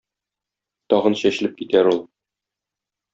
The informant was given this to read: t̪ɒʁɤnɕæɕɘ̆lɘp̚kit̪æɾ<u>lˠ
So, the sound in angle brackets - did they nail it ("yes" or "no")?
yes